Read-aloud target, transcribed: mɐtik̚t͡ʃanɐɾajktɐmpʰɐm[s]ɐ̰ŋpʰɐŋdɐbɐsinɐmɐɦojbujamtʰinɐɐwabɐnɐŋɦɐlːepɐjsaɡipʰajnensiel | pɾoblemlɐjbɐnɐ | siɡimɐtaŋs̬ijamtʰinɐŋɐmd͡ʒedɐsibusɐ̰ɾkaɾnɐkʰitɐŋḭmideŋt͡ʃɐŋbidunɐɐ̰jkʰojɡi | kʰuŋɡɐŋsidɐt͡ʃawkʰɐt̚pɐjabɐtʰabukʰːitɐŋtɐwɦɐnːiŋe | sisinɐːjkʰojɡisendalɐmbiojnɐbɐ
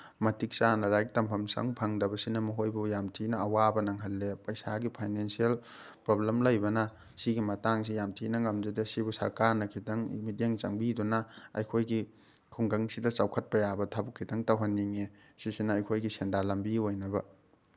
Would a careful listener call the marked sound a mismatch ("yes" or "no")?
no